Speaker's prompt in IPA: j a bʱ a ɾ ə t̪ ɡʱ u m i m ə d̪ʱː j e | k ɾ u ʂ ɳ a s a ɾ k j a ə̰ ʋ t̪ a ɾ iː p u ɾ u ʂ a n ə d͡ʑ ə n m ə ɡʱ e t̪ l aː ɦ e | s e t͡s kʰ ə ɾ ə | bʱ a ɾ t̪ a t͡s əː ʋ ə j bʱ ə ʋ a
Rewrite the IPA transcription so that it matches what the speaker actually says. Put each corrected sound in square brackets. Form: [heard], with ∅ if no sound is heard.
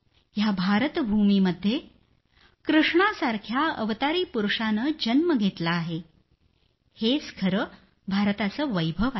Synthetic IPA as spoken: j a bʱ a ɾ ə t̪ [bʱ] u m i m ə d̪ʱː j e | k ɾ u ʂ ɳ a s a ɾ [kʰ] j a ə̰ ʋ t̪ a ɾ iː p u ɾ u ʂ a n ə d͡ʑ ə n m ə ɡʱ e t̪ l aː ɦ e | [h] e t͡s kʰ ə ɾ ə | bʱ a ɾ t̪ a t͡s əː ʋ ə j bʱ ə ʋ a